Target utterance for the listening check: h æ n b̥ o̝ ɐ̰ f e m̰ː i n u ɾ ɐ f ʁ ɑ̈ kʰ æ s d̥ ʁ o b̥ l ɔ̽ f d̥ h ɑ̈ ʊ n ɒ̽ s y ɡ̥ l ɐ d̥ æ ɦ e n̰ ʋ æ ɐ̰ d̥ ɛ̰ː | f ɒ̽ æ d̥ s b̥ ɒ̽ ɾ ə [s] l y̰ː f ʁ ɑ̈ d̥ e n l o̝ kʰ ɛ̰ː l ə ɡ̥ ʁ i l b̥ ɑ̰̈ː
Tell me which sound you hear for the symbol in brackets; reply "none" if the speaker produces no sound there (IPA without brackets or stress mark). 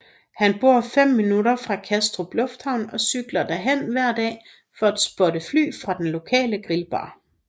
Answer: f